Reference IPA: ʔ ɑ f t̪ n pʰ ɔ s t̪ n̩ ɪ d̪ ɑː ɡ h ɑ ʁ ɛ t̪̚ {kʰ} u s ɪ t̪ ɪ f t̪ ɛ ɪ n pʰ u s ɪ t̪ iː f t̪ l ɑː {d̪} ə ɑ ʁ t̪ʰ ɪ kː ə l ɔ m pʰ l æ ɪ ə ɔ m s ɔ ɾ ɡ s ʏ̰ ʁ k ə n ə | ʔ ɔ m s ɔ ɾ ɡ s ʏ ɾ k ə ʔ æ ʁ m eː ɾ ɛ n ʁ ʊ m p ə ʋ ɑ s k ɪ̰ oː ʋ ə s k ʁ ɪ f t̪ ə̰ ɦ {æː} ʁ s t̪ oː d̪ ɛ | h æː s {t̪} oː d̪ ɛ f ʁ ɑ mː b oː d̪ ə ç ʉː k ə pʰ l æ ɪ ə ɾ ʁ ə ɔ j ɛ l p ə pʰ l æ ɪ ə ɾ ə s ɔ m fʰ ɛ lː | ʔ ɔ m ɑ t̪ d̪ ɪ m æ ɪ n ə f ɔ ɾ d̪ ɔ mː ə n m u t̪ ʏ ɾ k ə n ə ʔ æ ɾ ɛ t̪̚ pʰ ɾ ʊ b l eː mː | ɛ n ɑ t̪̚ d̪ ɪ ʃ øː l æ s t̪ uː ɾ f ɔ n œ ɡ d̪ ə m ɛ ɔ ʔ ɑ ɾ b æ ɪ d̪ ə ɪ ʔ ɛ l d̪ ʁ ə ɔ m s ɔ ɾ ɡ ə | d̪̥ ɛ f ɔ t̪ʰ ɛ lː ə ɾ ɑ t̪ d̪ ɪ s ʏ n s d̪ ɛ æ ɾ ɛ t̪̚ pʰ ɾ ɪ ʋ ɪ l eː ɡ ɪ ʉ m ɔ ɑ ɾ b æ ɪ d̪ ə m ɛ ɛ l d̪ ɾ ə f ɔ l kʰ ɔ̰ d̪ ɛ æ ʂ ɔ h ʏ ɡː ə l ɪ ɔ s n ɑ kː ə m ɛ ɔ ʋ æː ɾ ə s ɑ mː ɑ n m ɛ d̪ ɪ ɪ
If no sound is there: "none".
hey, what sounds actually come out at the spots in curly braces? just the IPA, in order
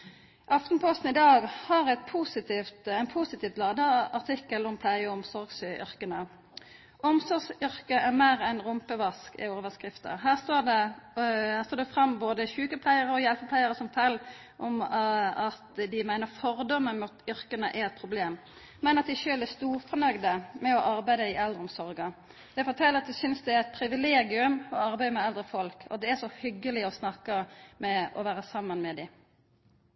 pʰ, d̪, æː, t̪

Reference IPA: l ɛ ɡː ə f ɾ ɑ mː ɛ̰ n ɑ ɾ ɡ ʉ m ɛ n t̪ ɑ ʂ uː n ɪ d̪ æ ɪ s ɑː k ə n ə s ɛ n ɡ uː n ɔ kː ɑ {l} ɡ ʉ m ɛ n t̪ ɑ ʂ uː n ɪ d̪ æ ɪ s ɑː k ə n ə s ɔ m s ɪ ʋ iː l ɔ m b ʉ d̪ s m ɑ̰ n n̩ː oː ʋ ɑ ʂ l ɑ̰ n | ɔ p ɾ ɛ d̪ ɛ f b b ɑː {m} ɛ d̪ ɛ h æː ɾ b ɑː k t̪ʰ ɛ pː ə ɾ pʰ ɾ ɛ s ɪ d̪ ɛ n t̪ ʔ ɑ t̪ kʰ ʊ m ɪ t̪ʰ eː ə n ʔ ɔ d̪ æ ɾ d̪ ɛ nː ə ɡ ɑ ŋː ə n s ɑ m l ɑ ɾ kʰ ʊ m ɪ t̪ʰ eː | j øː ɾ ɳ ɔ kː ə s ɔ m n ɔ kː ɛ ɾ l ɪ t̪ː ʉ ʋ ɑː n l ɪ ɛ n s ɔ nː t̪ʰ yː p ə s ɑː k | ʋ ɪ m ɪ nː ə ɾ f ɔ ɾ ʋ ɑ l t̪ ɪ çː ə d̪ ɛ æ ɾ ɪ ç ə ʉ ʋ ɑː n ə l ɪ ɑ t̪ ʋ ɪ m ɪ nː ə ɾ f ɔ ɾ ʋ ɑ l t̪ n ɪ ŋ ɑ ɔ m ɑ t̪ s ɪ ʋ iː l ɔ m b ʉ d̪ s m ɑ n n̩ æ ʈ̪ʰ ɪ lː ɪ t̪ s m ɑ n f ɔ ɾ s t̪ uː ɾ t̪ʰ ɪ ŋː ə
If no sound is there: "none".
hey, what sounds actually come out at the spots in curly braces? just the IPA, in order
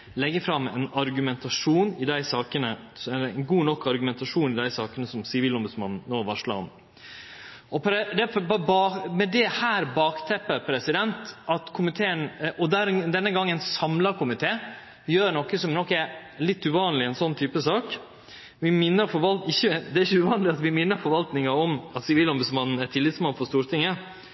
ɾ, m

